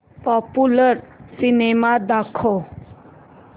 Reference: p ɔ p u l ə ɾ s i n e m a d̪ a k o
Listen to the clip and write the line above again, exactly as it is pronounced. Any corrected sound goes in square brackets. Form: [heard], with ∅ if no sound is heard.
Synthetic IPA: p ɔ p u l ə ɾ s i n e m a d̪ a [kʰ] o

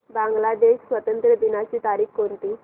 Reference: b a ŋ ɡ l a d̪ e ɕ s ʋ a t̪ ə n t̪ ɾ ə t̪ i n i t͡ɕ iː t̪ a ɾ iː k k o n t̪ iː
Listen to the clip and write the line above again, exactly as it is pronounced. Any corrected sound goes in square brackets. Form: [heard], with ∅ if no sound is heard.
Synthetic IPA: b a ŋ ɡ l a d̪ e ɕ s ʋ [ə] t̪ ə n t̪ ɾ ə [d̪] i n [a] t͡ɕ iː t̪ a ɾ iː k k o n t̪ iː

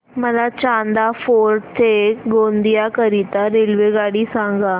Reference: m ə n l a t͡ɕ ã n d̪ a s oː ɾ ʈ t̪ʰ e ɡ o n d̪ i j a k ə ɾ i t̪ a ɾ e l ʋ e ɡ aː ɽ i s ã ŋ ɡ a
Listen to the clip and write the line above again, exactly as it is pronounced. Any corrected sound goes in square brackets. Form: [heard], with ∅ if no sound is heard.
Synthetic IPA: m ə [∅] l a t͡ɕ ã n d̪ a [f] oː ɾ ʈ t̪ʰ e ɡ o n d̪ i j a k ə ɾ i t̪ a ɾ e l ʋ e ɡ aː ɽ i s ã ŋ ɡ a

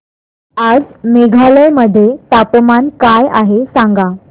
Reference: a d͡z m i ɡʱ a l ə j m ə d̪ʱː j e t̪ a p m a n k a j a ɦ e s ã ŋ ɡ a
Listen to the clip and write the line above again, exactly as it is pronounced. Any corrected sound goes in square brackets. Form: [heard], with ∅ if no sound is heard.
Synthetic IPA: a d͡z m [e] ɡʱ a l ə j m ə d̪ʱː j e t̪ a p m a n k a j a ɦ e s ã ŋ ɡ a

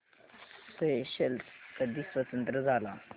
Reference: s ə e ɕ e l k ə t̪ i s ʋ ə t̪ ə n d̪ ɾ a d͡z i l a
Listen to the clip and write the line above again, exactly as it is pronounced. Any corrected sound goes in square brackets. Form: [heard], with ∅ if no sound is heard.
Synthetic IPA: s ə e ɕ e l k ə [d̪] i s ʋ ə t̪ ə n [t̪] ɾ [ə] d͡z [a] l a

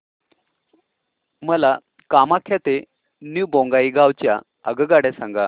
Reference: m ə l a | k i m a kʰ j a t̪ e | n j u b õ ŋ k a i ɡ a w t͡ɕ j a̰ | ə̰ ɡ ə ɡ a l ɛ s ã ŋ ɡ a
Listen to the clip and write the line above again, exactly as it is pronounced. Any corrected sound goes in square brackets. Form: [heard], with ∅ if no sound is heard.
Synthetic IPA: m ə l a | k [a] m a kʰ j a t̪ e | n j u b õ ŋ [ɡ] a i ɡ a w t͡ɕ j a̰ | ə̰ ɡ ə ɡ a [ɽ] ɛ s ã ŋ ɡ a

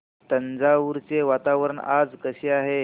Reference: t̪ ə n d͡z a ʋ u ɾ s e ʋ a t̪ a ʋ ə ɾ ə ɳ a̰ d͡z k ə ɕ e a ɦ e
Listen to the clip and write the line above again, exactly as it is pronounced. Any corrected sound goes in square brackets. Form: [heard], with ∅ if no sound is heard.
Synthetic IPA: t̪ ə n d͡z a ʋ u ɾ [t͡s] e ʋ a t̪ a ʋ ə ɾ ə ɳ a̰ d͡z k ə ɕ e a ɦ e

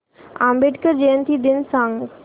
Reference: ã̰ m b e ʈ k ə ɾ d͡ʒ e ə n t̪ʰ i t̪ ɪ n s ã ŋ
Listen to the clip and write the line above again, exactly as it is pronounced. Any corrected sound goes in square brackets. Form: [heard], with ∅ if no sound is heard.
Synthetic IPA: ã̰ m b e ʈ k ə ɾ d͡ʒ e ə n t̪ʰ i [d̪] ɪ n s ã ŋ

